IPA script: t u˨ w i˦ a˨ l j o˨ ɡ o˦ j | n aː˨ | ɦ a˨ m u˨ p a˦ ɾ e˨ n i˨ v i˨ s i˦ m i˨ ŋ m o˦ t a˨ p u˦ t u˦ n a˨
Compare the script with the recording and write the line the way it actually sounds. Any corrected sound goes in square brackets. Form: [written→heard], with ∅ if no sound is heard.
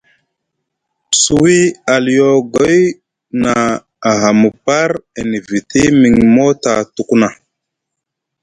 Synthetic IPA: [t→s] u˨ w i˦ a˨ l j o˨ ɡ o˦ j | n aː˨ | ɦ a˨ m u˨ p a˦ ɾ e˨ n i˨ v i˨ [s→t] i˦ m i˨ ŋ m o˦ t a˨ [p→t] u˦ [t→k] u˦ n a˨